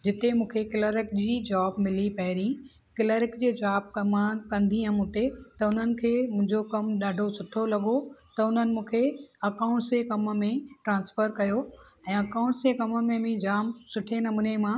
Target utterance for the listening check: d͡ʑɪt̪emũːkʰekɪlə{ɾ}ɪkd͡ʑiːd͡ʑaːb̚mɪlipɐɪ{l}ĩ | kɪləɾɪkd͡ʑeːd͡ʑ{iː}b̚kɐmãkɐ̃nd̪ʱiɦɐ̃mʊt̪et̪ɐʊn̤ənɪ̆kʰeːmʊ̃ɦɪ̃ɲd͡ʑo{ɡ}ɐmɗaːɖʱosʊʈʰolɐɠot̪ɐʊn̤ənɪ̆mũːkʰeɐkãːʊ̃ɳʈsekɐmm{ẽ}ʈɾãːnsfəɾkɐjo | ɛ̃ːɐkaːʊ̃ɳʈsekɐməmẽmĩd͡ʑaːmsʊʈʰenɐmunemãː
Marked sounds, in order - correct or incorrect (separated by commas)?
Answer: correct, incorrect, incorrect, incorrect, correct